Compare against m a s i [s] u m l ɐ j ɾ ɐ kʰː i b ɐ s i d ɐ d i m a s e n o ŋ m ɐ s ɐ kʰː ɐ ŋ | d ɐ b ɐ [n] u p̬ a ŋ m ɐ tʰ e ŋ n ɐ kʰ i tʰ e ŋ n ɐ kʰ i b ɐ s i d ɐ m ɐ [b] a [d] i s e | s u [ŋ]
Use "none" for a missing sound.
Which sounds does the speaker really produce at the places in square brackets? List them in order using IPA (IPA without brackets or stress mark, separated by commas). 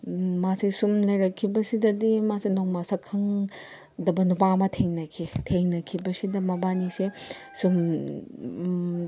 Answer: s, n, b, n, m